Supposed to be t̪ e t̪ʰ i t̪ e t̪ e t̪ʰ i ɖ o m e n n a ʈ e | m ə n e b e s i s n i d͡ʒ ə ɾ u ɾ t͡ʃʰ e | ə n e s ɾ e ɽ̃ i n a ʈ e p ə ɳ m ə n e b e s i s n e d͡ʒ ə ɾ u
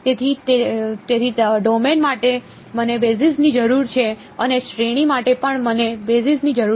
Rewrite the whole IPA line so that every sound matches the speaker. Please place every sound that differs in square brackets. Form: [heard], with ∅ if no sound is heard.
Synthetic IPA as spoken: t̪ e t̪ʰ i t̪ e t̪ e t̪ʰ i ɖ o m e n [m] a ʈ e | m ə n e b e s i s n i d͡ʒ ə ɾ u ɾ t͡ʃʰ e | ə n e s ɾ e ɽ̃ i [m] a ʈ e p ə ɳ m ə n e b e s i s n [i] d͡ʒ ə ɾ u